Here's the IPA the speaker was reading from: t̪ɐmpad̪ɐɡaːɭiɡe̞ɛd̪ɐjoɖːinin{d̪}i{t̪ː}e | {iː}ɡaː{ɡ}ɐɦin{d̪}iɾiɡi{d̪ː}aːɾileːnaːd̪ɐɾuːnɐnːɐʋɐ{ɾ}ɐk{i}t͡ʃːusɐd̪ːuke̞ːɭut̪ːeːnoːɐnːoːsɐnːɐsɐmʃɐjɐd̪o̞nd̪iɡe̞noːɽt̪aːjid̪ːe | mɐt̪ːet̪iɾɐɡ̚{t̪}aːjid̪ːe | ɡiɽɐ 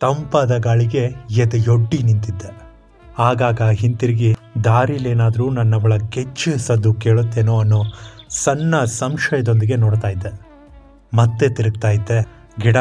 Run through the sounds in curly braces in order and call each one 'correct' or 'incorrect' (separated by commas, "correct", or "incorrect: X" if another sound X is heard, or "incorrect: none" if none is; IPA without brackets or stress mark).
incorrect: t̪, incorrect: d̪ː, incorrect: aː, correct, incorrect: t̪, incorrect: d̪, incorrect: ɭ, incorrect: e, correct